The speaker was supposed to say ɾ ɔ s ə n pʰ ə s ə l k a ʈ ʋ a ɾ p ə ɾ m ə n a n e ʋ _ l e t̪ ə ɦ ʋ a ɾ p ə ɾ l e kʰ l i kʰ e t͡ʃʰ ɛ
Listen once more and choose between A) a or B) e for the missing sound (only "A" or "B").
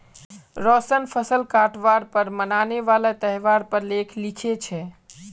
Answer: A